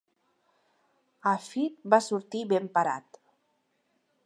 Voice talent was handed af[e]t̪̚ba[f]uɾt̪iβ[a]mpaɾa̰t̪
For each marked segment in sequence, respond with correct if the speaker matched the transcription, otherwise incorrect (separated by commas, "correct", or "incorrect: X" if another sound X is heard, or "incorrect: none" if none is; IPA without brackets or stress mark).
incorrect: i, incorrect: s, incorrect: e